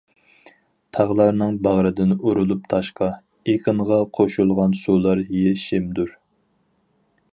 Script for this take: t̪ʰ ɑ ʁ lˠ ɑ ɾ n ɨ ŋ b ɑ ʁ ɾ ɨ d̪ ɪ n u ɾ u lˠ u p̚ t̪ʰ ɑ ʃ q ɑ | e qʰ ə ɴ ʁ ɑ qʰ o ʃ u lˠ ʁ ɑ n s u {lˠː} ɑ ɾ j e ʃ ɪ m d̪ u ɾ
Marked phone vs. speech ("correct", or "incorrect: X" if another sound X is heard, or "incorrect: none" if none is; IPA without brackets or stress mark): incorrect: lˠ